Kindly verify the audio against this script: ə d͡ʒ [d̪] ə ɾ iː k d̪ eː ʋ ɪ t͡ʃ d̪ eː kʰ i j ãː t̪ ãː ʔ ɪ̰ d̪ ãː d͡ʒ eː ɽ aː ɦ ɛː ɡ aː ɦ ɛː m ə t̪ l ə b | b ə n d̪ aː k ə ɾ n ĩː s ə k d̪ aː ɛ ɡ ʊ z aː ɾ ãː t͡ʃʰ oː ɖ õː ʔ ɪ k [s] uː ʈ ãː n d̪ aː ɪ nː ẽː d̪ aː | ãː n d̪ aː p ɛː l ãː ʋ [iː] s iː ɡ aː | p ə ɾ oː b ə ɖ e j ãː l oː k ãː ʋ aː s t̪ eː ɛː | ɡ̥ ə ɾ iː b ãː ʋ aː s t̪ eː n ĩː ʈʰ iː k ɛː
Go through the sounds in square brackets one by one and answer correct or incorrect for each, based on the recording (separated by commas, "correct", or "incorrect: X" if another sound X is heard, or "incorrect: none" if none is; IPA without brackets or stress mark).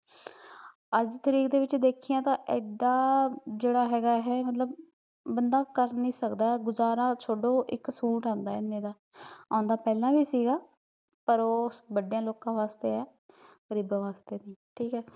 incorrect: t̪, correct, correct